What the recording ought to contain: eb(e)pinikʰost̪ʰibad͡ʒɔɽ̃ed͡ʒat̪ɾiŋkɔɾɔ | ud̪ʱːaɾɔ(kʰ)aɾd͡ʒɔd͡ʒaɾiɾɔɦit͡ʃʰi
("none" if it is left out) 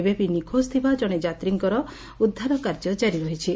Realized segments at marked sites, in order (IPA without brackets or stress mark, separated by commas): e, k